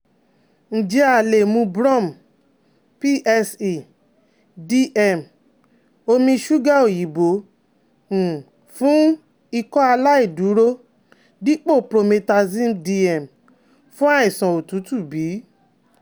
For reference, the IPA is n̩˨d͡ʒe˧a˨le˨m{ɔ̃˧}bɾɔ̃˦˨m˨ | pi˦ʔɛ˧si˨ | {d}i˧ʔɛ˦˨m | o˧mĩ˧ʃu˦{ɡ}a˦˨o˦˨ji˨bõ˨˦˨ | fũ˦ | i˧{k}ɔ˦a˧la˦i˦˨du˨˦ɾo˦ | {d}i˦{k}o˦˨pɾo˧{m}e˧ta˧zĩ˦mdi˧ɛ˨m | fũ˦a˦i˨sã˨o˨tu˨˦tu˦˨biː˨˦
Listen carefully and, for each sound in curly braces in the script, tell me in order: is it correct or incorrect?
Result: incorrect: ũ˧, correct, correct, correct, correct, incorrect: k͡p, correct

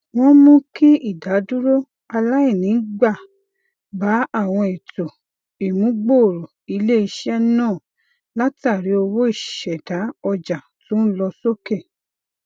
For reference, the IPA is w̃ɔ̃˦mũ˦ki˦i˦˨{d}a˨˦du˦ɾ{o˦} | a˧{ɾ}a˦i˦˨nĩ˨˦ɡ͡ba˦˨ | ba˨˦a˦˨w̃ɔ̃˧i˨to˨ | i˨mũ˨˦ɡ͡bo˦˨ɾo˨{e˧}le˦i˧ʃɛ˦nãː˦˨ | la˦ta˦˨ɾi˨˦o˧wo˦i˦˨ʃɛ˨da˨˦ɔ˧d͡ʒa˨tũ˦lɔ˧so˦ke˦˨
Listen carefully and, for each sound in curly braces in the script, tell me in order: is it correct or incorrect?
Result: correct, correct, incorrect: l, incorrect: i˧

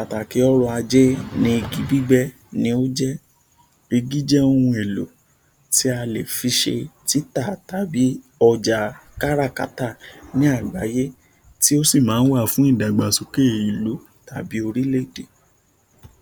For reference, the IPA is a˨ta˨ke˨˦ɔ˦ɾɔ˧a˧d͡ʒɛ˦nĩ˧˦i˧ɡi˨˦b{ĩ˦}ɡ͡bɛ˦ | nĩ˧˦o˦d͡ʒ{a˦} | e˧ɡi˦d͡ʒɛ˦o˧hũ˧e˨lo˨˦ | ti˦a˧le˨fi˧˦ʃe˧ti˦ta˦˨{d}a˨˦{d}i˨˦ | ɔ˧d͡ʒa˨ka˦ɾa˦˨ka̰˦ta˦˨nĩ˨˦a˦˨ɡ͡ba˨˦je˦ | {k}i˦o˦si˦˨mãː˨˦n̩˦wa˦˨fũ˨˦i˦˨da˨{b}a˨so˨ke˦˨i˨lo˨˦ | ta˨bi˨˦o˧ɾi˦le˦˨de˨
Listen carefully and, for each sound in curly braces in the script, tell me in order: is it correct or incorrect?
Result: incorrect: i˦, incorrect: ɛ˦, incorrect: t, incorrect: b, incorrect: t, incorrect: ɡ͡b

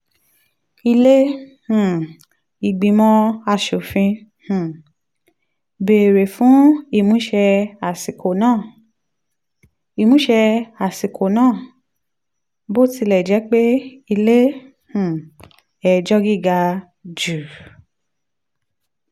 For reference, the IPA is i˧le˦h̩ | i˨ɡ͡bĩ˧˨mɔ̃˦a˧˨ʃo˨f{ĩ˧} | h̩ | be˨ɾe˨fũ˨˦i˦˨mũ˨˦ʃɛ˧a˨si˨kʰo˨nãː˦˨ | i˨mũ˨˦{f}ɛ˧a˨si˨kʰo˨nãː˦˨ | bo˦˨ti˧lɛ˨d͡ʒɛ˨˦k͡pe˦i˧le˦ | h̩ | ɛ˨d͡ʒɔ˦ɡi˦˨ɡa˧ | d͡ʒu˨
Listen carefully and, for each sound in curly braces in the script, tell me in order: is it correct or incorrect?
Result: correct, incorrect: ʃ

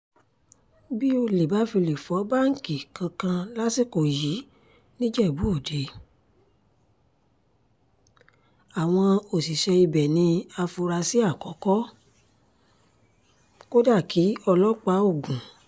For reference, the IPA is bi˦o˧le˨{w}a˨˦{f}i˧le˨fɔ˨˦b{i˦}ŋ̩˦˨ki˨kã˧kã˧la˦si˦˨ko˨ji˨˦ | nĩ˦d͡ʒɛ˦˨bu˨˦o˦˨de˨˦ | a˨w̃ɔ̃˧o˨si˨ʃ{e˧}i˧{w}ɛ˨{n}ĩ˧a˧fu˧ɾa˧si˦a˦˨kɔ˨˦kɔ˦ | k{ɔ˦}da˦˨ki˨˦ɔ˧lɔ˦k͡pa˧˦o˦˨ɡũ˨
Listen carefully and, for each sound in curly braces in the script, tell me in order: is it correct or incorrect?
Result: incorrect: b, correct, incorrect: a˦, incorrect: ɛ˧, incorrect: b, correct, incorrect: o˦

